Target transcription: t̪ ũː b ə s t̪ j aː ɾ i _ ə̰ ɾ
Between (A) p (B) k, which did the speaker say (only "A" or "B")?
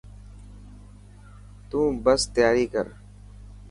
B